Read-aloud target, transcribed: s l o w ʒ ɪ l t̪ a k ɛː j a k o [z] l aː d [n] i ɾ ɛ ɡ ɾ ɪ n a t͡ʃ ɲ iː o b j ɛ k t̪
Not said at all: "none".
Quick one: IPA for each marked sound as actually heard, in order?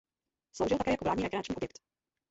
v, ɲ

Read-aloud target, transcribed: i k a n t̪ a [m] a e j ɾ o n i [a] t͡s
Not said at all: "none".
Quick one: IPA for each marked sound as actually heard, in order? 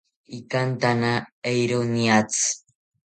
n, a

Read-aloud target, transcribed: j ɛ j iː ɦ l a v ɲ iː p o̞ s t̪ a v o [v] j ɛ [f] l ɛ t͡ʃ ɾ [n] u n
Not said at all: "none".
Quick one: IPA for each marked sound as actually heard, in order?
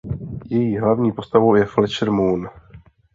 w, f, m

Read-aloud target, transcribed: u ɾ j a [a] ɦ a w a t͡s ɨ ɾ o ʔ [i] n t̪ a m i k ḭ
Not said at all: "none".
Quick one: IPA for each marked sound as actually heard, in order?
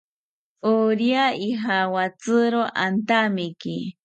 i, a

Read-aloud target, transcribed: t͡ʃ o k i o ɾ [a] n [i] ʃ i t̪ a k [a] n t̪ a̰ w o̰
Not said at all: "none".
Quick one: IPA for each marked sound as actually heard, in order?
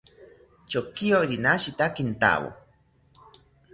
i, a, i

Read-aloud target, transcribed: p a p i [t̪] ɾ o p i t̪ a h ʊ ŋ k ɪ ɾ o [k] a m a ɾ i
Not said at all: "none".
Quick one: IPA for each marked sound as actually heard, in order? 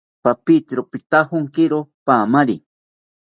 t̪, p

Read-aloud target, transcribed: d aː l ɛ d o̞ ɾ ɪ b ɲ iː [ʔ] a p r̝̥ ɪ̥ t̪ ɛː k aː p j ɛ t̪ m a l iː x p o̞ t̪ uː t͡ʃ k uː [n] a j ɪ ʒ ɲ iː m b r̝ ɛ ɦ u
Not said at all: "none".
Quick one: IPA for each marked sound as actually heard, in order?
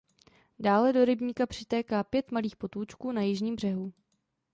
k, n

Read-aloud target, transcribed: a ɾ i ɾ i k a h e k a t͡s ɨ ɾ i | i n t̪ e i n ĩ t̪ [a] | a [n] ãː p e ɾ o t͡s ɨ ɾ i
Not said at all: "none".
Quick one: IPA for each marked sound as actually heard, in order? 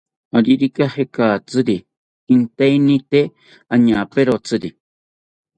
e, ɲ

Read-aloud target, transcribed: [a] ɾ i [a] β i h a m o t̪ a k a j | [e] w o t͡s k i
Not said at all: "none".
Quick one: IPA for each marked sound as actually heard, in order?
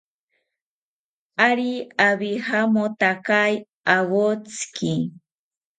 a, a, a

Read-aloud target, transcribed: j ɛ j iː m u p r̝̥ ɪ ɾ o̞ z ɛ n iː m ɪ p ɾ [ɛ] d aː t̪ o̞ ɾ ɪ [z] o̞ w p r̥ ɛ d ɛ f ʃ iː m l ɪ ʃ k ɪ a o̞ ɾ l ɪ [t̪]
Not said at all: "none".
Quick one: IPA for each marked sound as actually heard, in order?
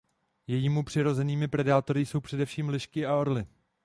ɛ, s, none

